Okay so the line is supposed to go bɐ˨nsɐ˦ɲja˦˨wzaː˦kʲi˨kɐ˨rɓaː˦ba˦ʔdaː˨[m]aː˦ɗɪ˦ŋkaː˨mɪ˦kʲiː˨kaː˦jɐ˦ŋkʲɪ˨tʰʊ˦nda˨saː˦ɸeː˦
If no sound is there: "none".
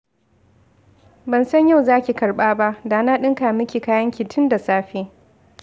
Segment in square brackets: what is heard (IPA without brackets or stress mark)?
n